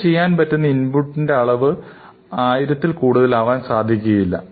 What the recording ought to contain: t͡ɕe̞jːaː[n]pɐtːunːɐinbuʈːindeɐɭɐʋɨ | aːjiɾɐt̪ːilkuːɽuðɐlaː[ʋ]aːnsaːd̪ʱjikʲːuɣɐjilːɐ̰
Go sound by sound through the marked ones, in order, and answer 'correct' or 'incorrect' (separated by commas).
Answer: correct, correct